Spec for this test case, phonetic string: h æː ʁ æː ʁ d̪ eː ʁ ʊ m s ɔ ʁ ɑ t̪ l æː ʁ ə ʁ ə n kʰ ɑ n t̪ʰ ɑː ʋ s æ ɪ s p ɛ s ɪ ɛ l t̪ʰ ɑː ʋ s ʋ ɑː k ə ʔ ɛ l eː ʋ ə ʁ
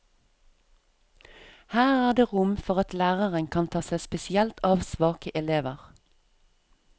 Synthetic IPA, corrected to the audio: h æː ʁ æː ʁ d̪ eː ʁ ʊ m f ɔ ʁ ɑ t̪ l æː ʁ ə ʁ ə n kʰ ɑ n t̪ʰ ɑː s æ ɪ s p ɛ s ɪ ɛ l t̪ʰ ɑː ʋ s ʋ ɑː k ə ʔ ɛ l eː ʋ ə ʁ

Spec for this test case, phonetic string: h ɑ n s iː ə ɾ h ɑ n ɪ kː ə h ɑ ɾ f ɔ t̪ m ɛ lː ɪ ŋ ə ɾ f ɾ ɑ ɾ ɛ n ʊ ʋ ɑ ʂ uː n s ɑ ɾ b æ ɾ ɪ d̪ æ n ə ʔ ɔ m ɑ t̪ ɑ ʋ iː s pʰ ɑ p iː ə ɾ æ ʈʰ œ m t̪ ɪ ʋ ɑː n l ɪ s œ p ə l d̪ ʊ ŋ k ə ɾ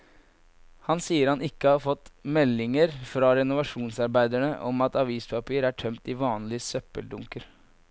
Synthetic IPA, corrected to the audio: h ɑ n s iː ə ɾ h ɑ n ɪ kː ə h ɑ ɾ f ɔ t̪ m ɛ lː ɪ ŋ ə ɾ f ɾ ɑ ɾ ɛ n ʊ ʋ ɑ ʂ uː n s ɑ ɾ b æ ɪ d̪ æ ɳ ə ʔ ɔ m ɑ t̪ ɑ ʋ iː s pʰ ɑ p iː ə ɾ æ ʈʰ œ m t̪ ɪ ʋ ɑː n l ɪ s œ p ə l d̪ ʊ ŋ k ə ɾ

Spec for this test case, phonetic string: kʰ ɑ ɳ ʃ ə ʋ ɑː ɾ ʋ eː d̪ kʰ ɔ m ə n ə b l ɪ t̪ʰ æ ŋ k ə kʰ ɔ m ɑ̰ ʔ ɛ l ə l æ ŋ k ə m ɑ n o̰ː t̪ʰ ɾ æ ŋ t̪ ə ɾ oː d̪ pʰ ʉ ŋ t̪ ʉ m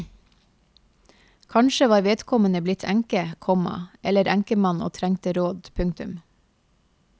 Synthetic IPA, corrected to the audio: kʰ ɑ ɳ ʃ ə ʋ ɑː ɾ ʋ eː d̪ kʰ ɔ m ə n ə b l ɪ t̪ʰ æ ŋ k ə kʰ ɔ m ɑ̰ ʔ ɛ l ə ɾ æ ŋ k ə m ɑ n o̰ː t̪ʰ ɾ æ ŋ t̪ ə ɾ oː d̪ pʰ ʉ ŋ t̪ ʉ m

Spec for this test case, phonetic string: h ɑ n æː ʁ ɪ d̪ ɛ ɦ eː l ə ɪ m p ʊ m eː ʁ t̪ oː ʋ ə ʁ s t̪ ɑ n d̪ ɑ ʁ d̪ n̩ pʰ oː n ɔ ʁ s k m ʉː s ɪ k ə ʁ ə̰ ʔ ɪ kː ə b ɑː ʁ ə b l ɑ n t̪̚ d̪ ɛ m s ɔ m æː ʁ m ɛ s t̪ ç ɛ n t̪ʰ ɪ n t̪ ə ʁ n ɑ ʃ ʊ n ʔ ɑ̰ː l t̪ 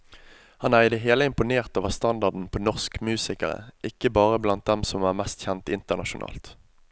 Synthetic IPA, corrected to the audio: h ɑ n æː ʁ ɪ d̪ ɛ ɦ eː l ə ɪ m p ʊ n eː ʁ t̪ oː ʋ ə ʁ s t̪ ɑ n d̪ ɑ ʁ d̪ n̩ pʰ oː n ɔ ʁ s k m ʉː s ɪ k ə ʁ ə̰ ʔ ɪ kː ə b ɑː ʁ ə b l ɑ n t̪̚ d̪ ɛ m s ɔ m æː ʁ m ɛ s t̪ ç ɛ n t̪ ɪ n t̪ ə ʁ n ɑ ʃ ʊ n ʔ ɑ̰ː l t̪

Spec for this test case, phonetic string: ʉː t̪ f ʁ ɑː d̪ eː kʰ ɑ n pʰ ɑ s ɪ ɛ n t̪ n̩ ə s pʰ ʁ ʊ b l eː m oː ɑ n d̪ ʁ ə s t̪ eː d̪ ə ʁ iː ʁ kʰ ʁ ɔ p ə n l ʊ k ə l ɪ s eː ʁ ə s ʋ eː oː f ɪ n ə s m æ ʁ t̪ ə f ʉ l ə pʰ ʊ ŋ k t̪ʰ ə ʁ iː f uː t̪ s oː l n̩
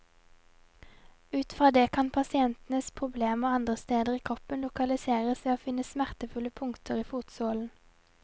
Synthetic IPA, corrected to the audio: ʉː t̪ f ʁ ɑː d̪ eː kʰ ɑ n pʰ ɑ s ɪ ɛ n t̪ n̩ ə s pʰ ʁ ʊ b l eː m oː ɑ n d̪ ʁ ə s t̪ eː d̪ ə ʁ iː kʰ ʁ ɔ p ə n l ʊ k ɑ l ɪ s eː ʁ ə s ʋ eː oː f ɪ n ə s m æ ʁ t̪ ə f ʉ l ə pʰ ʊ ŋ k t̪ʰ ə ʁ iː f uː t̪ s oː l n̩

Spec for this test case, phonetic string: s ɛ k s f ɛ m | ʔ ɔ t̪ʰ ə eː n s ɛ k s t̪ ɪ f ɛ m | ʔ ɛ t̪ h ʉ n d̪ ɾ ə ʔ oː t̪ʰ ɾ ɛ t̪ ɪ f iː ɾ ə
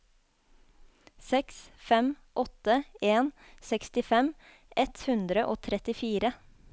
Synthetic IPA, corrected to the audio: s ɛ k s f ɛ m | ʔ ɔ t̪ ə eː n s ɛ k s t̪ ɪ f ɛ m | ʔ ɛ t̪ h ʉ n d̪ ɾ ə ʔ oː t̪ʰ ɾ ɛ t̪ ɪ f iː ɾ ə

